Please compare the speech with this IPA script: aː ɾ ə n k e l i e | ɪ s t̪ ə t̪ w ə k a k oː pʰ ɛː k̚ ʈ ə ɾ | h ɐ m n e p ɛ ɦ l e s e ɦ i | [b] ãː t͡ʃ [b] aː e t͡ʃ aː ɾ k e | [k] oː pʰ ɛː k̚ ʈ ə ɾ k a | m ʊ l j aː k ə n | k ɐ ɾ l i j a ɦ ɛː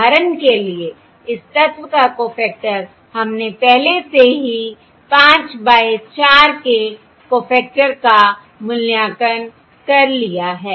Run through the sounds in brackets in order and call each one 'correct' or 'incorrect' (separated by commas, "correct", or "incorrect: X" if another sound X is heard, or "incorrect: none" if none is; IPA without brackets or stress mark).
incorrect: p, correct, correct